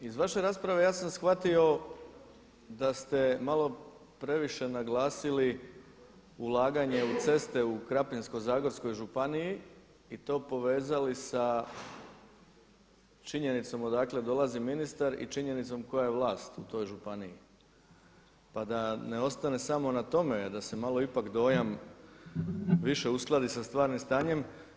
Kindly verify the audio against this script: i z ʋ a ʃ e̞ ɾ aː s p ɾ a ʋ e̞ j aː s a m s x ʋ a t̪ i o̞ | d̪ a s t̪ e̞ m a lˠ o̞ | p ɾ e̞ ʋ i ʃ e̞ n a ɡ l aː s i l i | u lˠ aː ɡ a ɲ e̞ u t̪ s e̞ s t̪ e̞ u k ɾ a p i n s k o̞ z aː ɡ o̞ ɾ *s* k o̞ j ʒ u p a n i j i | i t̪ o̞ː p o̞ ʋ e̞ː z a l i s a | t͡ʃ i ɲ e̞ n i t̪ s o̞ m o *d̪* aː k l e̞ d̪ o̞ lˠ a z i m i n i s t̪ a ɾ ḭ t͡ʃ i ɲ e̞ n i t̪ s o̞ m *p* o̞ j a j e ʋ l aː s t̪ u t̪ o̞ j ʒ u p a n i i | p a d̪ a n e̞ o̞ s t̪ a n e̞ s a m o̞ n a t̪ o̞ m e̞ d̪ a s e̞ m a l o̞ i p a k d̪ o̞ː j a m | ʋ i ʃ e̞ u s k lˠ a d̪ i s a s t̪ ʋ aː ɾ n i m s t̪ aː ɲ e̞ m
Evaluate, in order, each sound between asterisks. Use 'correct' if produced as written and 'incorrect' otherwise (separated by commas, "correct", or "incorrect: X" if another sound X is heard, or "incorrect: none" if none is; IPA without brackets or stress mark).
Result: correct, correct, incorrect: k